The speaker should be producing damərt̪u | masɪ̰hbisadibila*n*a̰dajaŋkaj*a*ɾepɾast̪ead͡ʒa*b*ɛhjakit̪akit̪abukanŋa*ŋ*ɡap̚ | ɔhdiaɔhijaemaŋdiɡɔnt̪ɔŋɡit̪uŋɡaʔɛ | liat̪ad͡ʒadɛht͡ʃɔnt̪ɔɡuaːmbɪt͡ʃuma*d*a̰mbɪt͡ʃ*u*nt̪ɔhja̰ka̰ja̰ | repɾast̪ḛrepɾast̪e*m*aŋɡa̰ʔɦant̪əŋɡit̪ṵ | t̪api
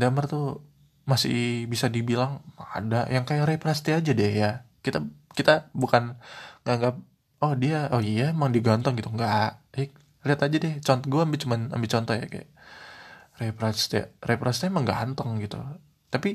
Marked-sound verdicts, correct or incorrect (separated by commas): incorrect, correct, incorrect, correct, incorrect, incorrect, correct